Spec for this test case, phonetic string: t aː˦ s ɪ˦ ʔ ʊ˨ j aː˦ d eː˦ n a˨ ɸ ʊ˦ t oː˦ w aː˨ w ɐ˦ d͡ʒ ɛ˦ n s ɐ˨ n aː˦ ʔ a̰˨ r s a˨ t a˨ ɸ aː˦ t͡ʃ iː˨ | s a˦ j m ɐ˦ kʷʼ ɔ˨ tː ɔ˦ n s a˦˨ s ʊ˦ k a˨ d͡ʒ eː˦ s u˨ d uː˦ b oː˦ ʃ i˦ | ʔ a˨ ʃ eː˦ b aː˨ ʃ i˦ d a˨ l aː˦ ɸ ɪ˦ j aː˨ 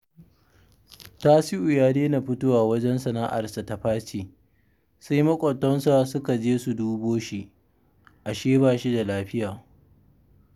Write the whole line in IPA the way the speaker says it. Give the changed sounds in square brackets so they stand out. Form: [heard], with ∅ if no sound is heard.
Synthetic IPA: t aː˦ s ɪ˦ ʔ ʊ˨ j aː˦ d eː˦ n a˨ ɸ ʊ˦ t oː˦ w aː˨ w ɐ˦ d͡ʒ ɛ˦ n s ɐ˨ n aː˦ ʔ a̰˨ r s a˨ t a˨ ɸ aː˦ t͡ʃ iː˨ | s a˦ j m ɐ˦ kʷʼ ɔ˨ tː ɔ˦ n s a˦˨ s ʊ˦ k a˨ d͡ʒ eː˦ s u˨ d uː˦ b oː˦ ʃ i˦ | ʔ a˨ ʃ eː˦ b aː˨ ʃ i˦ d a˨ l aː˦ ɸ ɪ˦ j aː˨

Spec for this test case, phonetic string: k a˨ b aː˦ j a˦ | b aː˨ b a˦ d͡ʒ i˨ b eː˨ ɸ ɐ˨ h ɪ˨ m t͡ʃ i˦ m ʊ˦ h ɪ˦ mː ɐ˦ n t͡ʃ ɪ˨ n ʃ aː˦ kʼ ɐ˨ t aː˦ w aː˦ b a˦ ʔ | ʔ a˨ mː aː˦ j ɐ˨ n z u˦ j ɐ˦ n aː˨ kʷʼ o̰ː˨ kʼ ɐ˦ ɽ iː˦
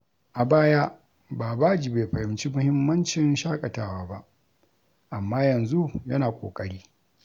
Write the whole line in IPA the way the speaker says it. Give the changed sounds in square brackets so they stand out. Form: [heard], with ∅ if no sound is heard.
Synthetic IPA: [ʔ] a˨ b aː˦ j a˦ | b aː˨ b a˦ d͡ʒ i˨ b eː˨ ɸ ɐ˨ h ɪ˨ m t͡ʃ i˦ m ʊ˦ h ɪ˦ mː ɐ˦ n t͡ʃ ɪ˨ n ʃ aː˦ kʼ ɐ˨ t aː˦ w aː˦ b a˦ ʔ | ʔ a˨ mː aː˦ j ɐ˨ n z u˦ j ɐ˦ n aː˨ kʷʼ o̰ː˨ kʼ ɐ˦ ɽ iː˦

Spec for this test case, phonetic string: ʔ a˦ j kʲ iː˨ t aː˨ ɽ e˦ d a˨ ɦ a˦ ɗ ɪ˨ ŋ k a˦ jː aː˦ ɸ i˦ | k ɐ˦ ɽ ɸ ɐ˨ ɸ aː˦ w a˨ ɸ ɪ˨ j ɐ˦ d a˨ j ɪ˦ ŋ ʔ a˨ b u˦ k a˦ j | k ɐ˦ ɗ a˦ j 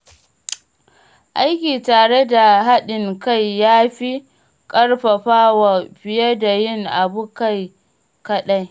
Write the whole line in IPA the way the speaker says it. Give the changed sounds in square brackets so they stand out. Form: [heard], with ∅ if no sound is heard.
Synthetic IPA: ʔ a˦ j kʲ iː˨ t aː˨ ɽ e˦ d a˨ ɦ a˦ ɗ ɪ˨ ŋ k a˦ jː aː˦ ɸ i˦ | [kʼ] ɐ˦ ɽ ɸ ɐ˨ ɸ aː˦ w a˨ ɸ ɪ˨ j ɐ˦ d a˨ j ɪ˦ ŋ ʔ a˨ b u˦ k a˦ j | k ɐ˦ ɗ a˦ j

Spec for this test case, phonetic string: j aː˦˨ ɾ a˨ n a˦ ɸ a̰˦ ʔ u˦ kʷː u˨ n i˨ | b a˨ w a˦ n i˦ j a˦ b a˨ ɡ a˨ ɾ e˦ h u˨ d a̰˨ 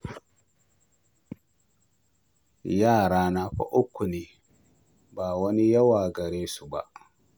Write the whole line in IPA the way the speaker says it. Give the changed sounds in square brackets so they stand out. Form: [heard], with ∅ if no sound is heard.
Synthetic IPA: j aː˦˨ ɾ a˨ n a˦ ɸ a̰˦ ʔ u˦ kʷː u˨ n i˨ | b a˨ w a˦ n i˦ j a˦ [w] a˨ ɡ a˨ ɾ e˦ [s] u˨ [b] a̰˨

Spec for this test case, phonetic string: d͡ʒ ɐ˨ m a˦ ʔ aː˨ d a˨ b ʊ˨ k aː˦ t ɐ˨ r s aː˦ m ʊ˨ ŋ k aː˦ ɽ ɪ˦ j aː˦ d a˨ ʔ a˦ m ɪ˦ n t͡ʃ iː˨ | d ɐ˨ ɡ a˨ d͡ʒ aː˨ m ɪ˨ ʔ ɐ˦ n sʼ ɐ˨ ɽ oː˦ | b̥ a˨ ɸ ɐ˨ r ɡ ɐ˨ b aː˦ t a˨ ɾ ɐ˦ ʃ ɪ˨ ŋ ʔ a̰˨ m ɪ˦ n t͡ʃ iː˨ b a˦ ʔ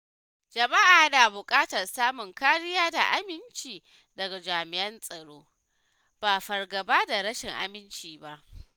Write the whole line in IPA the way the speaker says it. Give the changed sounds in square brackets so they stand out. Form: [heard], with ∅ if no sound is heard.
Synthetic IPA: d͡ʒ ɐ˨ m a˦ ʔ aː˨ d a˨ b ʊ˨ [kʼ] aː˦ t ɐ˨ r s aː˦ m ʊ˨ ŋ k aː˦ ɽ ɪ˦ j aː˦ d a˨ ʔ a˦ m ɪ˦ n t͡ʃ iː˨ | d ɐ˨ ɡ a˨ d͡ʒ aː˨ m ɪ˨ ʔ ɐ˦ n sʼ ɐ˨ ɽ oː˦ | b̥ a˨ ɸ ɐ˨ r ɡ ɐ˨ b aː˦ [d] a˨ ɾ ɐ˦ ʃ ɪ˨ ŋ ʔ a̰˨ m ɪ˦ n t͡ʃ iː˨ b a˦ ʔ

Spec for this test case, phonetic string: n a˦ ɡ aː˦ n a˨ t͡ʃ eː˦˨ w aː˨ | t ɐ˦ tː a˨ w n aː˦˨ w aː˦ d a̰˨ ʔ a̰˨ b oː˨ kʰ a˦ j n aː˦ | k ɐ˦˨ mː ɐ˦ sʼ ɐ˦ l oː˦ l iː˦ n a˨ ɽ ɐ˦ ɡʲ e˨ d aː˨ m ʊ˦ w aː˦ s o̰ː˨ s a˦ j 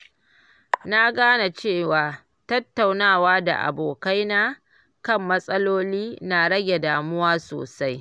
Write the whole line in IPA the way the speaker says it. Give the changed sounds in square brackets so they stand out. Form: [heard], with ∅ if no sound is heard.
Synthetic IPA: n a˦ ɡ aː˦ n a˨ t͡ʃ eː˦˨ w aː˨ | t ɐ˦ tː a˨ w n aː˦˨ w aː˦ d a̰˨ ʔ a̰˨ b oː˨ [k] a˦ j n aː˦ | k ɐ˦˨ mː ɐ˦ sʼ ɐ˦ l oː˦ l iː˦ n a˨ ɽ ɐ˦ ɡʲ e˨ d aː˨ m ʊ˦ w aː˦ s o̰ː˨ s a˦ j

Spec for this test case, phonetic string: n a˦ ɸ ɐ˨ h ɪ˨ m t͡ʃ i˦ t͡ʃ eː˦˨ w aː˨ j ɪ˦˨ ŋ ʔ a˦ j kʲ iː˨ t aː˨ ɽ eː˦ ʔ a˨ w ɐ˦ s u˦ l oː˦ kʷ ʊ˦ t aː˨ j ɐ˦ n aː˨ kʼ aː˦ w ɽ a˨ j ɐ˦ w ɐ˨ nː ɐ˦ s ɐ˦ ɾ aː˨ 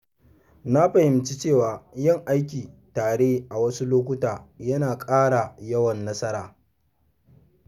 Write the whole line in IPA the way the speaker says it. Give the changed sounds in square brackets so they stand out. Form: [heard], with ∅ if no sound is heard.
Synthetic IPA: n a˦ ɸ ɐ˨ h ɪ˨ m t͡ʃ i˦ t͡ʃ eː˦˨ w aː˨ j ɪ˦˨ ŋ ʔ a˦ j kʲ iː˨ t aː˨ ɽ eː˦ ʔ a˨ w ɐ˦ s u˦ l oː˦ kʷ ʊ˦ t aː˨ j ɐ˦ n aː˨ kʼ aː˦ [∅] ɽ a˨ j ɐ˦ w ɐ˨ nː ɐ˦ s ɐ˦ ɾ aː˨

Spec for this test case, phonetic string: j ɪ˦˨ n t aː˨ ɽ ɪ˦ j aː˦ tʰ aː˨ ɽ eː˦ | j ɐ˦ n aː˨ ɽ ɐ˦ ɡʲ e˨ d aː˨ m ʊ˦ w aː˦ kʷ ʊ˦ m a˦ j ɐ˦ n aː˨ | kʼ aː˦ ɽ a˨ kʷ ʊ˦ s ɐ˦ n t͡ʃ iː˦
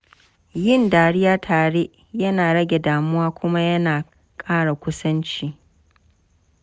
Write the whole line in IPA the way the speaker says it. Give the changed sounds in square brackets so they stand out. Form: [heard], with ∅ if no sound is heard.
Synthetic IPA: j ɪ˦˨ n [d] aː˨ ɽ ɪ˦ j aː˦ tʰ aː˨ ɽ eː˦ | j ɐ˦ n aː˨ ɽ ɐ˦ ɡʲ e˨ d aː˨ m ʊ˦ w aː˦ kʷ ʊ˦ m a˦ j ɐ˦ n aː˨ | kʼ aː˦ ɽ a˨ kʷ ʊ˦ s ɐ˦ n t͡ʃ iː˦

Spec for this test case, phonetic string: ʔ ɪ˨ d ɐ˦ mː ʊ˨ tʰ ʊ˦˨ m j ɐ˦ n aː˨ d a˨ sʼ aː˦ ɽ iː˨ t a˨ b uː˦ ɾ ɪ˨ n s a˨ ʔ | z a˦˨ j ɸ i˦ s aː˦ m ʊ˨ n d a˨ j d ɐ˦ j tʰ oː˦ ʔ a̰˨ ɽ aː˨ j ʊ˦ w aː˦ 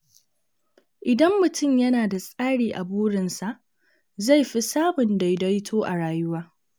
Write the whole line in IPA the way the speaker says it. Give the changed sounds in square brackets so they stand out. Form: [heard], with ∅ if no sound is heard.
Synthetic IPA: ʔ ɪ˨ d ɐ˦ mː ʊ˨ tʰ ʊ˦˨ m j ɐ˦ n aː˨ d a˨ sʼ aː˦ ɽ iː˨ [ʔ] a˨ b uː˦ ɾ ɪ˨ n s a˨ ʔ | z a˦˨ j ɸ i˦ s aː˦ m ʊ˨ n d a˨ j d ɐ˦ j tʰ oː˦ ʔ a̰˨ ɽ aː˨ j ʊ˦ w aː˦

